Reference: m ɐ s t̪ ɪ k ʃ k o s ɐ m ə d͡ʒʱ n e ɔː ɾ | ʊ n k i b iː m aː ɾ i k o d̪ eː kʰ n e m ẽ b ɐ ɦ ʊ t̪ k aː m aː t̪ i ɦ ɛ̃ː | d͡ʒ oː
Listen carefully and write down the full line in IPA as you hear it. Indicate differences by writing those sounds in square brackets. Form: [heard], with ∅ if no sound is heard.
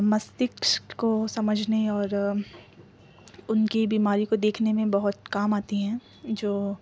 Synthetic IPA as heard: m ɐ s t̪ ɪ k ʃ k o s ɐ m ə d͡ʒʱ n e ɔː ɾ | ʊ n k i b iː m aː ɾ i k o d̪ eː kʰ n e m ẽ b ɐ ɦ ʊ t̪ k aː m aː t̪ i ɦ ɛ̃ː | d͡ʒ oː

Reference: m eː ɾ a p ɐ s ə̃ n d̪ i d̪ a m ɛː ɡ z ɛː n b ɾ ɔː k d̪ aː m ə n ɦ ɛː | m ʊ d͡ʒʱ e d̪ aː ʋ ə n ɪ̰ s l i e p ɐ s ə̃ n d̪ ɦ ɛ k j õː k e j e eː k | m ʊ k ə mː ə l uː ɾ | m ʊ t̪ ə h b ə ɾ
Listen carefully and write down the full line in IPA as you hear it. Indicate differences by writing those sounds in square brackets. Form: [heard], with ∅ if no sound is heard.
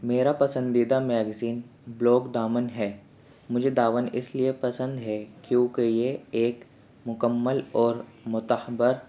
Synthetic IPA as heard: m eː ɾ a p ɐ s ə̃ n d̪ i d̪ a m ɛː ɡ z [iː] n b [l] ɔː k d̪ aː m ə n ɦ ɛː | m ʊ d͡ʒʱ e d̪ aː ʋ ə n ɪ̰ s l i e p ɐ s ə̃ n d̪ ɦ ɛ k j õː k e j e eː k | m ʊ k ə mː ə l [ɔː] ɾ | m ʊ t̪ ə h b ə ɾ

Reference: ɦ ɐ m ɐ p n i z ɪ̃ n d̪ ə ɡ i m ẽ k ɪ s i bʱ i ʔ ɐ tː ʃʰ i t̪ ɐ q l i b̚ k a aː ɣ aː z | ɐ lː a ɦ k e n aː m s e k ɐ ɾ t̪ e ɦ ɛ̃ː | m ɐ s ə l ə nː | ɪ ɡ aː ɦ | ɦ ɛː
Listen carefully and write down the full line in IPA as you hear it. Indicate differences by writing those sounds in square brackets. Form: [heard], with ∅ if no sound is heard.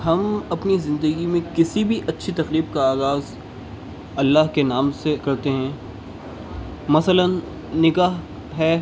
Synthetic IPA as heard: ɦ ɐ m ɐ p n i z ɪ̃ n d̪ ə ɡ i m ẽ k ɪ s i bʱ i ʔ ɐ tː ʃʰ i t̪ ɐ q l [iː] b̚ k a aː ɣ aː z | ɐ lː a ɦ k e n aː m s e k ɐ ɾ t̪ e ɦ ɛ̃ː | m ɐ s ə l ə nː | ɪ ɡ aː ɦ | ɦ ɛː

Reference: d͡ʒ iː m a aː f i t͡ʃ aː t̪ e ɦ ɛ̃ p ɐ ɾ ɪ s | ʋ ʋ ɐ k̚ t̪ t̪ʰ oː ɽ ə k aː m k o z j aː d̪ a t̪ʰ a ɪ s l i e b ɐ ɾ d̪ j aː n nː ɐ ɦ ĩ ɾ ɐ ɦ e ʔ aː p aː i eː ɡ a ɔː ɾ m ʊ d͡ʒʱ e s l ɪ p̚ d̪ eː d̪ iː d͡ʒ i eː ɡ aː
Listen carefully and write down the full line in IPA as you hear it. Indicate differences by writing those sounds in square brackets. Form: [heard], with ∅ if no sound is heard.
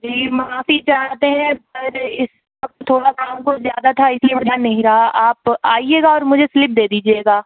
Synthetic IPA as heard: d͡ʒ iː m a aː f i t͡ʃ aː t̪ e ɦ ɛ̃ p ɐ ɾ ɪ s | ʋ ʋ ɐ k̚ t̪ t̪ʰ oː ɽ [a] k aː m k o z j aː d̪ a t̪ʰ a ɪ s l i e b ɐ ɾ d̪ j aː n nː ɐ ɦ ĩ ɾ ɐ ɦ [a] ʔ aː p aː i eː ɡ a ɔː ɾ m ʊ d͡ʒʱ e s l ɪ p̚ d̪ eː d̪ iː d͡ʒ i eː ɡ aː

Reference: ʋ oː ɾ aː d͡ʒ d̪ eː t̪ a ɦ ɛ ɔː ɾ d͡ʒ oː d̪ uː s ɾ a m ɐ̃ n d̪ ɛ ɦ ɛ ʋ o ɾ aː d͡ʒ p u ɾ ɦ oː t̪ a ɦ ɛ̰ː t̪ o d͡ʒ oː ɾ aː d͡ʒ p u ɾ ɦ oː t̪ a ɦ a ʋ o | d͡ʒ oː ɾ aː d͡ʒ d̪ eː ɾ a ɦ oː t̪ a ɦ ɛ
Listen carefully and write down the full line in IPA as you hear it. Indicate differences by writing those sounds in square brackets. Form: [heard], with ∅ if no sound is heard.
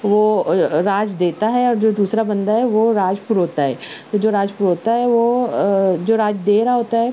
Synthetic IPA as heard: ʋ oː ɾ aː d͡ʒ d̪ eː t̪ a ɦ ɛ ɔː ɾ d͡ʒ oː d̪ uː s ɾ a [b] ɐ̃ n d̪ [a] ɦ ɛ ʋ o ɾ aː d͡ʒ p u ɾ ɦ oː t̪ a ɦ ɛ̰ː t̪ o d͡ʒ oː ɾ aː d͡ʒ p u ɾ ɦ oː t̪ a ɦ [ɛ] ʋ o | d͡ʒ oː ɾ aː d͡ʒ d̪ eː ɾ a ɦ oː t̪ a ɦ ɛ

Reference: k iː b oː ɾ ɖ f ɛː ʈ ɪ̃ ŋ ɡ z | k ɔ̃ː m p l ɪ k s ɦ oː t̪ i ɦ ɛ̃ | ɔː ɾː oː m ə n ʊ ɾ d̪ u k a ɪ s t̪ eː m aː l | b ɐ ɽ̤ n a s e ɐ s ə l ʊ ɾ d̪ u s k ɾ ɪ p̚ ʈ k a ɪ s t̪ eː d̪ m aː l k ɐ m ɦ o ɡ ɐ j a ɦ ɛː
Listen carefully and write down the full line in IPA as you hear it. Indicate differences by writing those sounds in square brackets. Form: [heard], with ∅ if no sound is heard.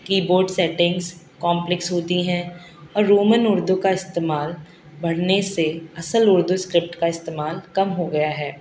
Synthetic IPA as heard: k iː b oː ɾ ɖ [s] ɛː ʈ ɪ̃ ŋ ɡ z | k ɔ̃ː m p l ɪ k s ɦ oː t̪ i ɦ ɛ̃ | ɔː ɾː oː m ə n ʊ ɾ d̪ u k a ɪ s t̪ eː m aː l | b ɐ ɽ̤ n [e] s e ɐ s ə l ʊ ɾ d̪ u s k ɾ ɪ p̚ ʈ k a ɪ s t̪ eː [∅] m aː l k ɐ m ɦ o ɡ ɐ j a ɦ ɛː

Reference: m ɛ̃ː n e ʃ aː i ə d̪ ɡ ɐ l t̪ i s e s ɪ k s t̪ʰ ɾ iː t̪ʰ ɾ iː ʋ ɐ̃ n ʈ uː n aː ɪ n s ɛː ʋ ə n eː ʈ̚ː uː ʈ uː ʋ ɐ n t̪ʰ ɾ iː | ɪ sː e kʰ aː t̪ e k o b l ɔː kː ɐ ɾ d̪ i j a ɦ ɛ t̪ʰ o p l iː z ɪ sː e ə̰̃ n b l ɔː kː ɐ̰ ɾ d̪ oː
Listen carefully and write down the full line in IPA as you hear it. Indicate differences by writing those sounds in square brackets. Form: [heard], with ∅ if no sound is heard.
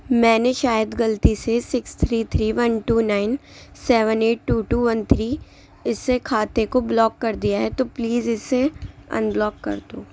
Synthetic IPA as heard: m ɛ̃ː n e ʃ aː [j] ə d̪ ɡ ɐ l t̪ i s e s ɪ k s t̪ʰ ɾ iː t̪ʰ ɾ iː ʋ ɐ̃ n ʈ uː n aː ɪ n s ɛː ʋ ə n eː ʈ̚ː uː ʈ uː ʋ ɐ n t̪ʰ ɾ iː | ɪ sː e kʰ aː t̪ e k o b l ɔː kː ɐ ɾ d̪ i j a ɦ ɛ [t̪] o p l iː z ɪ sː e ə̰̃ n b l ɔː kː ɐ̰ ɾ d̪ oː

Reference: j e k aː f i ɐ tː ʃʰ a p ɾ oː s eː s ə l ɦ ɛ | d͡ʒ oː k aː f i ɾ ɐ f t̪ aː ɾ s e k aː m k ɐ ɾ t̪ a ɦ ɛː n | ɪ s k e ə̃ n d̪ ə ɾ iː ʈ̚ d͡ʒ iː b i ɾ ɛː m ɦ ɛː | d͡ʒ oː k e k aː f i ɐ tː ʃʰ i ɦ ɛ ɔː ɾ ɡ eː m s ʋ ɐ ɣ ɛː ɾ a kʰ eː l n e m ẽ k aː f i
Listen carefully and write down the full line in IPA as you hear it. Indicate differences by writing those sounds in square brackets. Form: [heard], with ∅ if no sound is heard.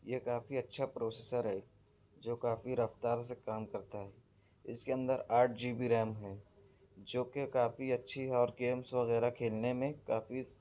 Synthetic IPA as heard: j e k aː f i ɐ tː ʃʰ a p ɾ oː s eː s ə [ɾ] ɦ ɛ | d͡ʒ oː k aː f i ɾ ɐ f t̪ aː ɾ s e k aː m k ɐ ɾ t̪ a ɦ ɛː [∅] | ɪ s k e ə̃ n d̪ ə ɾ [aː] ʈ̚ d͡ʒ iː b i ɾ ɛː m ɦ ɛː | d͡ʒ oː k e k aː f i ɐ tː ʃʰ i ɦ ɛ ɔː ɾ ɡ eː m s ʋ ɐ ɣ ɛː ɾ a kʰ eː l n e m ẽ k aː f i

